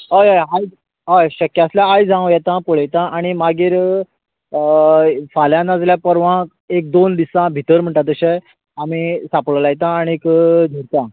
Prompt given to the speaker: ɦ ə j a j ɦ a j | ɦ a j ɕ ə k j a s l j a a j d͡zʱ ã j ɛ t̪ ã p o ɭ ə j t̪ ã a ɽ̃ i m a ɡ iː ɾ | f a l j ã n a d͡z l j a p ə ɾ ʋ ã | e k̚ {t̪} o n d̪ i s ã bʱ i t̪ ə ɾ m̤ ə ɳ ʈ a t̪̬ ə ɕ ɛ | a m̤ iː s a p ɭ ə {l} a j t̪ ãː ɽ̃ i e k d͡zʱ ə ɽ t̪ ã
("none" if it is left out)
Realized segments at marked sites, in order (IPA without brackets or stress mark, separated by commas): d̪, l